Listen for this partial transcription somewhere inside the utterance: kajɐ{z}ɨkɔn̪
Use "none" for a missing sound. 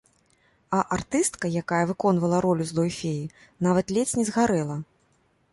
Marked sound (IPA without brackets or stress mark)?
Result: v